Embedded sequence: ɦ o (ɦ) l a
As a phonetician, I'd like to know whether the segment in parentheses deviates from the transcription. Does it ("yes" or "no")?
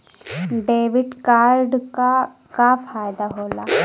yes